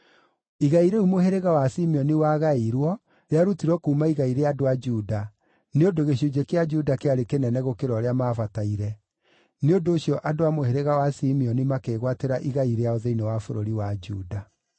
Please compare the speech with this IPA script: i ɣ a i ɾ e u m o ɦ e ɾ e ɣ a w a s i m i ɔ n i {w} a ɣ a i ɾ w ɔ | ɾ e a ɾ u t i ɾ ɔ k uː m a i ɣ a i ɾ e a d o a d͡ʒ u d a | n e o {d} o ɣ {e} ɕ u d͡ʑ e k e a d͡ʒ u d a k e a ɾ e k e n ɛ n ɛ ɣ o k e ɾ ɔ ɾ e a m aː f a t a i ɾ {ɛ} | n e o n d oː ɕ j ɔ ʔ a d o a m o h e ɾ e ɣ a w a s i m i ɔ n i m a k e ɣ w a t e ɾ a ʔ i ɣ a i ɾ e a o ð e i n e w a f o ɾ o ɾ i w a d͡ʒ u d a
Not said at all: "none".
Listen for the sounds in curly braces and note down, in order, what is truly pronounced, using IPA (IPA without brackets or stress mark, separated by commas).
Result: w, d, e, ɛ